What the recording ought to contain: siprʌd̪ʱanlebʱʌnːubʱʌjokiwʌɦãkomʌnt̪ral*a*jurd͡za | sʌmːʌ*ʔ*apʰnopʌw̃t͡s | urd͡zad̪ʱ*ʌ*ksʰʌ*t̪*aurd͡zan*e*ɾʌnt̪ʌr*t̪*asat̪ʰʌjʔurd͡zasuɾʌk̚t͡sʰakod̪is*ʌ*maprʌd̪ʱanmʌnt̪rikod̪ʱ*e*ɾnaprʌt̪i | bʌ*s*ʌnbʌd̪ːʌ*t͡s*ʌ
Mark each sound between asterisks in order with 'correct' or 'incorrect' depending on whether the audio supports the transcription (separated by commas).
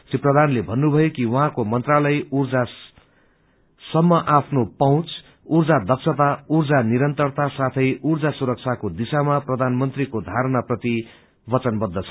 incorrect, correct, correct, correct, incorrect, correct, incorrect, incorrect, incorrect, incorrect